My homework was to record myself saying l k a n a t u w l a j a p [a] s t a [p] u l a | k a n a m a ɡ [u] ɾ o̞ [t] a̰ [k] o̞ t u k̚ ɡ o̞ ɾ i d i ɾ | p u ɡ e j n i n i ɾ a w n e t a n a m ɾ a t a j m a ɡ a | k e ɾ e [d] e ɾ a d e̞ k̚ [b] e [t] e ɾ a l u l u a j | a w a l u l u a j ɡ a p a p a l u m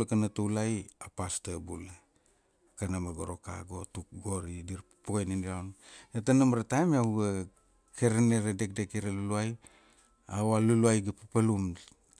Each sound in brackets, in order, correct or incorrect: correct, incorrect: b, incorrect: o, incorrect: k, incorrect: ɡ, incorrect: n, incorrect: d, incorrect: k

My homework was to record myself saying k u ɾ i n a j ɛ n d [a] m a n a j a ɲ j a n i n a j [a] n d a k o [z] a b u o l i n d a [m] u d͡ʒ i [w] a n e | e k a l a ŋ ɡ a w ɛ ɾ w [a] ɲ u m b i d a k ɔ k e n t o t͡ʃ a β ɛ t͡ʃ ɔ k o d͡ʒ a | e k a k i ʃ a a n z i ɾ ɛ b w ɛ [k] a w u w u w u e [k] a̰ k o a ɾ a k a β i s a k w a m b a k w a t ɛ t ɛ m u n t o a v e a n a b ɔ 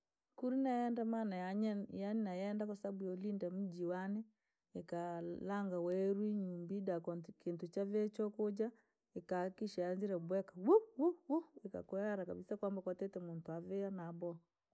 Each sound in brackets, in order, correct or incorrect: correct, incorrect: ɛ, incorrect: s, correct, correct, incorrect: i, correct, correct

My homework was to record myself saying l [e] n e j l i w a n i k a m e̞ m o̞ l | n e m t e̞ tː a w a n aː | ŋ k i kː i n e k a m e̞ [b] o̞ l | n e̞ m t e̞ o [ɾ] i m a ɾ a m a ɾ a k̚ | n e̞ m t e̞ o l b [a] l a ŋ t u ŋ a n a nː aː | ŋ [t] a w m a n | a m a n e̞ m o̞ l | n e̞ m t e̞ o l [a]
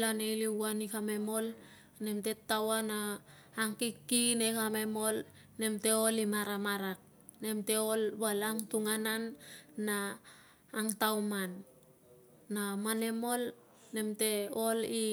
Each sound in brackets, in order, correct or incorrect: incorrect: a, incorrect: m, incorrect: l, correct, correct, incorrect: i

